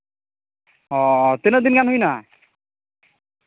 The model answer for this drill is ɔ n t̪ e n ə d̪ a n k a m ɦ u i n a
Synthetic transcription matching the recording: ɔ t̪ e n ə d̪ i n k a n ɦ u j n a